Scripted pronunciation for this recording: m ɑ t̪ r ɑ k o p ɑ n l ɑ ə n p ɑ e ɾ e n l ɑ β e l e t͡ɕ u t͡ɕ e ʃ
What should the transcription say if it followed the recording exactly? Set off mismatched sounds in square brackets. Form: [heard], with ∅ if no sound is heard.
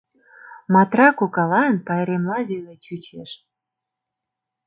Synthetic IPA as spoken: m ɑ t̪ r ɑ k o [k] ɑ [∅] l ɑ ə n p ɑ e ɾ e [m] l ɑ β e l e t͡ɕ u t͡ɕ e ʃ